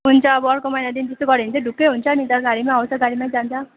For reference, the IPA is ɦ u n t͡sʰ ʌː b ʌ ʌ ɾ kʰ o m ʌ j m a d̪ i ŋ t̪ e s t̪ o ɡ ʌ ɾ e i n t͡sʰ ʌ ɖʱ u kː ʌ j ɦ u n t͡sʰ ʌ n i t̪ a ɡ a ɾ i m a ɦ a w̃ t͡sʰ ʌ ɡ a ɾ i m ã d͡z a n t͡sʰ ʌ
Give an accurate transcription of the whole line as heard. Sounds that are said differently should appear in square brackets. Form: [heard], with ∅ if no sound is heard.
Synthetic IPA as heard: ɦ u n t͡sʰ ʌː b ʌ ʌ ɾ [k] o m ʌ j [n] a d̪ i [n] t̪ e s t̪ o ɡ ʌ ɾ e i n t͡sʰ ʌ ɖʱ u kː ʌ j ɦ u n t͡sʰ ʌ n i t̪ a ɡ a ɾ i m a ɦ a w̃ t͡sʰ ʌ ɡ a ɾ i m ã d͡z a n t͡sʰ ʌ